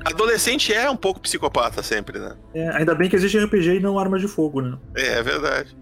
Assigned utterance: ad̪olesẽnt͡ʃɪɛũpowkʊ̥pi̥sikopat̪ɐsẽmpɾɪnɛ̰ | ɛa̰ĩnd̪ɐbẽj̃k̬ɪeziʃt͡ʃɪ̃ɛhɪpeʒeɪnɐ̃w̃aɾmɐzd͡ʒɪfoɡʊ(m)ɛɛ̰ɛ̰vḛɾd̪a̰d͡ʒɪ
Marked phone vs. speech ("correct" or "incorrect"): incorrect